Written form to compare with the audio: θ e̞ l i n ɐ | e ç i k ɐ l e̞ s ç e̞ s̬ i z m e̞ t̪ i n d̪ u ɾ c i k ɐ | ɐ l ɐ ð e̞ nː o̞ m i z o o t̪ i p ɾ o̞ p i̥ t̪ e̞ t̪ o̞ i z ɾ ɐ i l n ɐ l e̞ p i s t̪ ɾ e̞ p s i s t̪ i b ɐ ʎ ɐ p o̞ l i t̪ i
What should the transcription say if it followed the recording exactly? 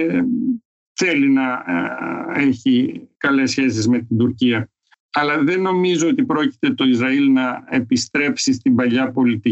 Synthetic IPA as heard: θ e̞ l i n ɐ | e ç i k ɐ l e̞ s ç e̞ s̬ i z m e̞ t̪ i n d̪ u ɾ c i ɐ | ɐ l ɐ ð e̞ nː o̞ m i z o o t̪ i p ɾ o̞ c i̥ t̪ e̞ t̪ o̞ i z ɾ ɐ i l n ɐ e̞ p i s t̪ ɾ e̞ p s i s t̪ i b ɐ ʎ ɐ p o̞ l i t̪ i